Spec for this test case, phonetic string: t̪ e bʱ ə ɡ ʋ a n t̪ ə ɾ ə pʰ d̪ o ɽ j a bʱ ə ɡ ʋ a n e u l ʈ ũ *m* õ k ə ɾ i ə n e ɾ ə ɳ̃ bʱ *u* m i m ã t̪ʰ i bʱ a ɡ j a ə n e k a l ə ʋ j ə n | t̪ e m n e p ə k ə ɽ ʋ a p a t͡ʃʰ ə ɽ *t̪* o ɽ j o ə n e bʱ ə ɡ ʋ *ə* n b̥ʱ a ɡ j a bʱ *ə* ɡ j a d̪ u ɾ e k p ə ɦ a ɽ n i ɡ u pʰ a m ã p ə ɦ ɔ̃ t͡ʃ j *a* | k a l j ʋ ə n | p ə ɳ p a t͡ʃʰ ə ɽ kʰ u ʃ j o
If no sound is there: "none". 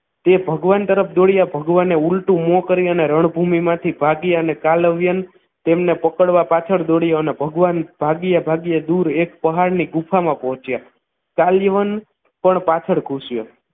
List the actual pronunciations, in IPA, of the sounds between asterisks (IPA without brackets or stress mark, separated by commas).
m, u, d̪, a, a, a